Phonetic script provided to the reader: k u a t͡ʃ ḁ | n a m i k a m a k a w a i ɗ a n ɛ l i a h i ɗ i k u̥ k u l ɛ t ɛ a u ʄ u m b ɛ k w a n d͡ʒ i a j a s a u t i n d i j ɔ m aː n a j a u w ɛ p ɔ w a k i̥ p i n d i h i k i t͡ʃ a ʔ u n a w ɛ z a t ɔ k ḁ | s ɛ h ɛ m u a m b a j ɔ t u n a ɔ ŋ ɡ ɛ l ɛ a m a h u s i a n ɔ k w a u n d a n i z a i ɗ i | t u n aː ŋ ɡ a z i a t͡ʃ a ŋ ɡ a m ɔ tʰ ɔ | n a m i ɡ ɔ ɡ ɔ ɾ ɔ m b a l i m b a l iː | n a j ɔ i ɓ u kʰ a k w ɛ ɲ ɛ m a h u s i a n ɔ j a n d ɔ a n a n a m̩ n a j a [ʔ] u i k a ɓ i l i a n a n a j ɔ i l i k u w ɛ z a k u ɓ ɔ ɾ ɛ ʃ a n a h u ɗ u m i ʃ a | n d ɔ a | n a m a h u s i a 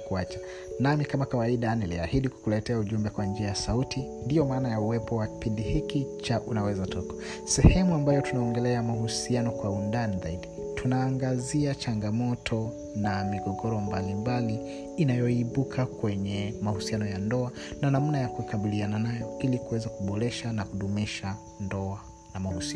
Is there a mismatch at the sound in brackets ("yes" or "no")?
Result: yes